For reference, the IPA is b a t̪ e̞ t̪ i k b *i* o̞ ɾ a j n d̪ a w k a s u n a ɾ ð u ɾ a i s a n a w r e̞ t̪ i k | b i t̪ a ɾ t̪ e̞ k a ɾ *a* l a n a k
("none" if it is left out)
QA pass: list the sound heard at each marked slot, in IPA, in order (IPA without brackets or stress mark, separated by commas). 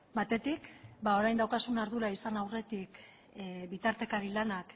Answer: a, i